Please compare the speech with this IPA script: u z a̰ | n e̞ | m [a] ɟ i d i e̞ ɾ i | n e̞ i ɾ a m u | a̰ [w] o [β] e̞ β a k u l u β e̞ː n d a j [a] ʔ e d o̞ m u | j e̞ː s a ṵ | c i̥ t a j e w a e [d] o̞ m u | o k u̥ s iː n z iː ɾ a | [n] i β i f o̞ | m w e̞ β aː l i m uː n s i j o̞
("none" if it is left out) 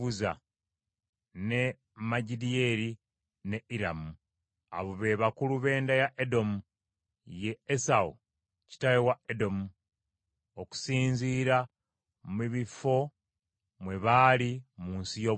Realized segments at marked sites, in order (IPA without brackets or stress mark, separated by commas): a, β, β, a, d, m